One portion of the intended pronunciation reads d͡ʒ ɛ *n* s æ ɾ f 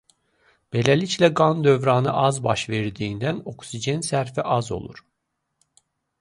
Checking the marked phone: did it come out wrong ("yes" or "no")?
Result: no